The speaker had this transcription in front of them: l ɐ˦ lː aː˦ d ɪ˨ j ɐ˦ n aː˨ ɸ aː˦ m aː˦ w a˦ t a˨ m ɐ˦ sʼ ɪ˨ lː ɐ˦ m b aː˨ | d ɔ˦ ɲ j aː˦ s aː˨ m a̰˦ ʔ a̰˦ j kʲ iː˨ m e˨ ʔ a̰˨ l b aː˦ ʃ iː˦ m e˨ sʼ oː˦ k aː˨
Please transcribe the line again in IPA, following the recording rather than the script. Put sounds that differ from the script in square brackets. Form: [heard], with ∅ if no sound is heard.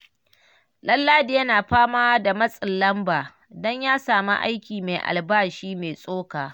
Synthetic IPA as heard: l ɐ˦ lː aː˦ d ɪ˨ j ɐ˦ n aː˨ ɸ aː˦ m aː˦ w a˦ [d] a˨ m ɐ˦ sʼ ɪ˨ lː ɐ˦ m b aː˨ | d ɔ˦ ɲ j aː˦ s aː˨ m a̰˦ ʔ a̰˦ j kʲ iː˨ m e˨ ʔ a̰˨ l b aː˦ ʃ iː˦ m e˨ sʼ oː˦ k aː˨

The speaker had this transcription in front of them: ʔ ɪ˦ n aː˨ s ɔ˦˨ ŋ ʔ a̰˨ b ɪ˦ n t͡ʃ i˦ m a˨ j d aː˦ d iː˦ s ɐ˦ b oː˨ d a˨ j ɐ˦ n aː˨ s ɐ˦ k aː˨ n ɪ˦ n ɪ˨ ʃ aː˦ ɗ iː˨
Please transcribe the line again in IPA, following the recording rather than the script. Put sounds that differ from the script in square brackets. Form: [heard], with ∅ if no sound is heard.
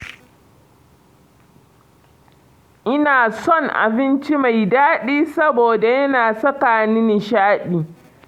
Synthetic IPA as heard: ʔ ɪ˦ n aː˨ s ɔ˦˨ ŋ ʔ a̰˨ b ɪ˦ n t͡ʃ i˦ m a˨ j d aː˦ [ɗ] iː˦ s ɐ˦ b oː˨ d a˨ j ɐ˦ n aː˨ s ɐ˦ k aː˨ n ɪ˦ n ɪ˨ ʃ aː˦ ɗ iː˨

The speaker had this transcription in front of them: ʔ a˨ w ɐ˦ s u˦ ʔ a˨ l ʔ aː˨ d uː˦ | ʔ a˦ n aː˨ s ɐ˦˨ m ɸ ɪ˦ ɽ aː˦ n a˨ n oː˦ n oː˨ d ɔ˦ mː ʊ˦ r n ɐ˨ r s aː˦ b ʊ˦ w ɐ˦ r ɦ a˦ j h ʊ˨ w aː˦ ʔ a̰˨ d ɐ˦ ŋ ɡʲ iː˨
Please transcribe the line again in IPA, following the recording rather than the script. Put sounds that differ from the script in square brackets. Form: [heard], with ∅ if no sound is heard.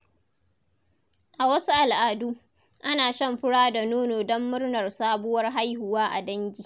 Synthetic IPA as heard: ʔ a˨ w ɐ˦ s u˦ ʔ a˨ l ʔ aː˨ d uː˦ | ʔ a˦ n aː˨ [ʃ] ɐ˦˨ m ɸ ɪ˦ ɽ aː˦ [d] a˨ n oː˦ n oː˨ d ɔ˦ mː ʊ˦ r n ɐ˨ r s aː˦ b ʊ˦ w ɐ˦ r ɦ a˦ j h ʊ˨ w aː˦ ʔ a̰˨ d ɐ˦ ŋ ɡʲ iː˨

